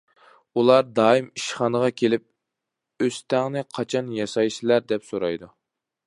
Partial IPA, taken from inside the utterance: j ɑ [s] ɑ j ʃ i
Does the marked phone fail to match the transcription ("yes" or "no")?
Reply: no